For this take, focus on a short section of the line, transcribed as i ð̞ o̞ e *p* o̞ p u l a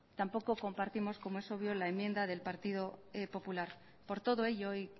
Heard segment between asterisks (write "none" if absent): p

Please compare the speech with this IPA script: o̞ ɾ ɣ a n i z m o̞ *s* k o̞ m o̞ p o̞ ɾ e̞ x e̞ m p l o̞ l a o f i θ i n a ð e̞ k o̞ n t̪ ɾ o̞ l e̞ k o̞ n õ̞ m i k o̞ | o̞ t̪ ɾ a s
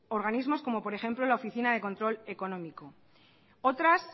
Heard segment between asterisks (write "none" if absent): s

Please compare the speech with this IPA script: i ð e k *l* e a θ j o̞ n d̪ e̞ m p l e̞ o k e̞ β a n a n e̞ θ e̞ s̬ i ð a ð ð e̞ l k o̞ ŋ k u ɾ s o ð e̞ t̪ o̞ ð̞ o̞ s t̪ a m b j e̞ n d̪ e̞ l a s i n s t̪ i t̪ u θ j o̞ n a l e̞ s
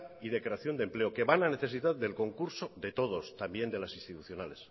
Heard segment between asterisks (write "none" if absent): ɾ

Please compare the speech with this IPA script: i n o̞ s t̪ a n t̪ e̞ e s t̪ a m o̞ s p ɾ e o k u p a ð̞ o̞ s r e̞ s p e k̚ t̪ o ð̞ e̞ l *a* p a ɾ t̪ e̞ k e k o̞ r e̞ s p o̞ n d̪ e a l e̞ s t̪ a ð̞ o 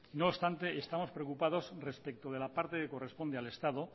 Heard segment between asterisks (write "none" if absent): a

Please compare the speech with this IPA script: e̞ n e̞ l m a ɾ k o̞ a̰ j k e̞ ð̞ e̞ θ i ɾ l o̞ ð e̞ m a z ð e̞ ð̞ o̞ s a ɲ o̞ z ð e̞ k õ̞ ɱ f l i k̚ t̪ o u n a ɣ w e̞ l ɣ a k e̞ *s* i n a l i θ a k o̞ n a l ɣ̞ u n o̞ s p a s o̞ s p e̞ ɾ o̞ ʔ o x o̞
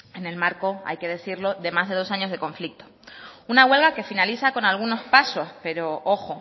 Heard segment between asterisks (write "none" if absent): f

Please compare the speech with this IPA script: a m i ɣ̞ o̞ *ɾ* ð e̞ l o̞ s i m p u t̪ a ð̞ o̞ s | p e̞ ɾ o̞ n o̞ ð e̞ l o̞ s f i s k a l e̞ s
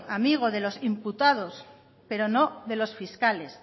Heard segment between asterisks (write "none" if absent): none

